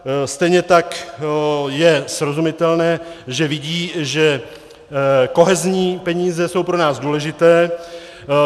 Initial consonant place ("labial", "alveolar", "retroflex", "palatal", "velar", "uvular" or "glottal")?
alveolar